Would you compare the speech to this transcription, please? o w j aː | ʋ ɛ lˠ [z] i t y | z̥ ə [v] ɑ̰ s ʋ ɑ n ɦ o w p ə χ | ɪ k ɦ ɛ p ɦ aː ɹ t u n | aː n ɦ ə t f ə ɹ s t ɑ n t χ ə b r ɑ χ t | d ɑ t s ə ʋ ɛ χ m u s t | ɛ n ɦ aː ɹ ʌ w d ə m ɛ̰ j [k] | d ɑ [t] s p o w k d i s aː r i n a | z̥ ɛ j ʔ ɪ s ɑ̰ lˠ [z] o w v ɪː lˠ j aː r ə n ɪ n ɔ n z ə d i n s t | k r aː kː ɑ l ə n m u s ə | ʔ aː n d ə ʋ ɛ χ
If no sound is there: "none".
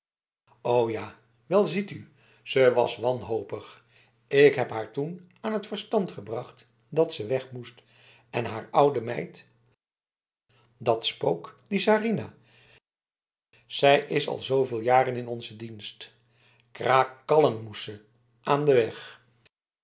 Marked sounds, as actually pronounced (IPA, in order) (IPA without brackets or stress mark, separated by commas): z, ʋ, t, t, z